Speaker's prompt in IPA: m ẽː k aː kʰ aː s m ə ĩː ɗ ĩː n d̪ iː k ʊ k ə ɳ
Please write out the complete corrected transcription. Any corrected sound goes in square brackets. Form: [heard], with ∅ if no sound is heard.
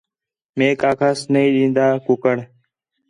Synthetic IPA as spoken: m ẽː k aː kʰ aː s [n] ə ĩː ɗ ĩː n d̪ [aː] k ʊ k ə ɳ